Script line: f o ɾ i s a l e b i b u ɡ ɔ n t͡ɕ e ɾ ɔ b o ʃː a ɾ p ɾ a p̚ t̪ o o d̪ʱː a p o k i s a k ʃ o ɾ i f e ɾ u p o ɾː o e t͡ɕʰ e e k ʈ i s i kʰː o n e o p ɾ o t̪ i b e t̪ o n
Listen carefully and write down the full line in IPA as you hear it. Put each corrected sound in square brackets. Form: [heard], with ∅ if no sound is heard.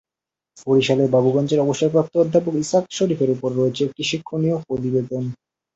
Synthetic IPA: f o ɾ i [ʃ] a l e b [a] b u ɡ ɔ n t͡ɕ e ɾ ɔ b o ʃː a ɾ p ɾ a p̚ t̪ o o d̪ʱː a p o k i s a k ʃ o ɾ i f e ɾ u p o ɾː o e t͡ɕʰ e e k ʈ i [ʃ] i kʰː o n [i] o p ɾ o t̪ i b e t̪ o n